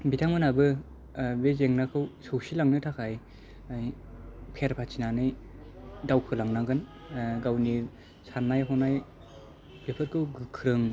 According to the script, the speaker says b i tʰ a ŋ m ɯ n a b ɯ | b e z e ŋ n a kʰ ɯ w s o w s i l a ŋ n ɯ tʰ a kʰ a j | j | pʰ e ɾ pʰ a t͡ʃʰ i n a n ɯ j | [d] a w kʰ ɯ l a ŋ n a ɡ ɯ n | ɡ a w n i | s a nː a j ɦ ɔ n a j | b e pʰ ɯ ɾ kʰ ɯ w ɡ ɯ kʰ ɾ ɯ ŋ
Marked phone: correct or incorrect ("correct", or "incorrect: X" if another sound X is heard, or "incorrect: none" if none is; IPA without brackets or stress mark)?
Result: correct